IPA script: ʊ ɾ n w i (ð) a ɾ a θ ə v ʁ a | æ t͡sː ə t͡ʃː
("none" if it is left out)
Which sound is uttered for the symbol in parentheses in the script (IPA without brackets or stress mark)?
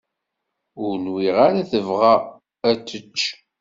ʁ